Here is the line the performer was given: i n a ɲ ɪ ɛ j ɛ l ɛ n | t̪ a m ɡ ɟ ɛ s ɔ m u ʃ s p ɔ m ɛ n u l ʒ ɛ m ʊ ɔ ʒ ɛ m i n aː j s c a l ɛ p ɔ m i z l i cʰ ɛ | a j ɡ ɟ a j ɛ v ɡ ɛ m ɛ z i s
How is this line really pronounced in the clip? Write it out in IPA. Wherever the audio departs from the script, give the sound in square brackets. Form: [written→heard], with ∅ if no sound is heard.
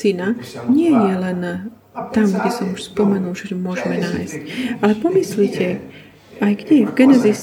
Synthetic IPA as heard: i n a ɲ ɪ ɛ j ɛ l ɛ n | t̪ a m ɡ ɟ ɛ s ɔ m u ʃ s p ɔ m ɛ n u l ʒ ɛ m ʊ ɔ ʒ ɛ m [i→ɛ] n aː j s c a l ɛ p ɔ m i [z→s] l i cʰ ɛ | a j ɡ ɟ [a→ɛ] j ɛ v ɡ ɛ [m→n] ɛ z i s